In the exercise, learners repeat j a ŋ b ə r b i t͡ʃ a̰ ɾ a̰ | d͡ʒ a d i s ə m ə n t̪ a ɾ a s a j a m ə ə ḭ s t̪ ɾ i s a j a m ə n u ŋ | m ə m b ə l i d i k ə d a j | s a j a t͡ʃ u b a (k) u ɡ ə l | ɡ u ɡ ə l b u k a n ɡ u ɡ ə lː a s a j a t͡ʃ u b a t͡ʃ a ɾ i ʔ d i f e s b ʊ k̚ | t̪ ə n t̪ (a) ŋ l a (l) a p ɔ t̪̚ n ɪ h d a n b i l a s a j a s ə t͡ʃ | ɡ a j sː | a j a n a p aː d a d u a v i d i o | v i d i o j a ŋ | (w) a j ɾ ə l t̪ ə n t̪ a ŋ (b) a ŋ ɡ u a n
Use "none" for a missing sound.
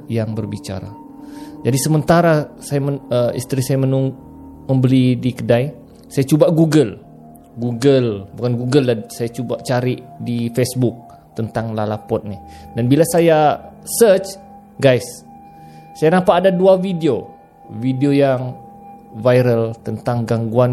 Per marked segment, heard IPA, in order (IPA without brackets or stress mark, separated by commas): ɡ, a, l, v, ɡ